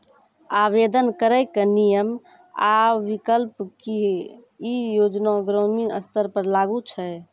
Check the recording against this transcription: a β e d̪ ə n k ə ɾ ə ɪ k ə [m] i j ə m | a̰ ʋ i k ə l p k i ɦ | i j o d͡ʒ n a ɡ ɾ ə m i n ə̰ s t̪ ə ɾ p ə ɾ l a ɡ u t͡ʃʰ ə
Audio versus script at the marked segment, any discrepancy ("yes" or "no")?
yes